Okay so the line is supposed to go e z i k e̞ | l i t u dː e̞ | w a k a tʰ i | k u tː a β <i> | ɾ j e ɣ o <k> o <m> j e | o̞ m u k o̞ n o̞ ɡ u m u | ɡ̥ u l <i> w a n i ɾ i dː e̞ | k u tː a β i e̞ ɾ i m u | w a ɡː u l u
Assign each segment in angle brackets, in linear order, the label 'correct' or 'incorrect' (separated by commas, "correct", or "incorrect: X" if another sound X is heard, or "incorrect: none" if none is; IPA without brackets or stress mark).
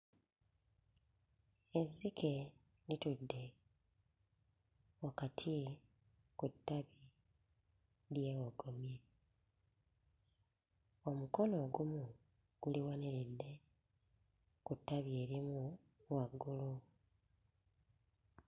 correct, incorrect: ɡ, correct, correct